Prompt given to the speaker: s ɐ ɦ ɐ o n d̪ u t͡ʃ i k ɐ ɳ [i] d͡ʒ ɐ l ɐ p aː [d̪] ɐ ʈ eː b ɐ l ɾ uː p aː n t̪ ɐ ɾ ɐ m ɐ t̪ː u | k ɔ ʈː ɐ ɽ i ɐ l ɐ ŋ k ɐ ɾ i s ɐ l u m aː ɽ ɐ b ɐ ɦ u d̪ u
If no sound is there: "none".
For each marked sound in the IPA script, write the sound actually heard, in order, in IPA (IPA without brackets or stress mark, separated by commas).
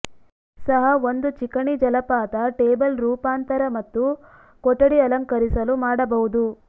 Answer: i, t̪